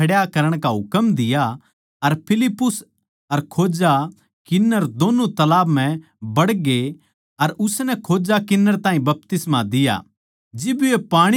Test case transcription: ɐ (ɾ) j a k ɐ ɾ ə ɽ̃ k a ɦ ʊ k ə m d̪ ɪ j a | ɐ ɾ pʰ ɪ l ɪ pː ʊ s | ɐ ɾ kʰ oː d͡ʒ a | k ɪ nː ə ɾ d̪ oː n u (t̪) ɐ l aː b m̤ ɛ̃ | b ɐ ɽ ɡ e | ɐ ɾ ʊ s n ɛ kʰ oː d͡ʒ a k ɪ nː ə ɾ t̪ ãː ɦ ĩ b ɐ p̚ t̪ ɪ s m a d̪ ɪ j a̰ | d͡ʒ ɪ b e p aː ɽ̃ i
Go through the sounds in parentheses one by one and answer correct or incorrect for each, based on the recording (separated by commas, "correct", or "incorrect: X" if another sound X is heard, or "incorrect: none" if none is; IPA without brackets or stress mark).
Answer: incorrect: ɽ, correct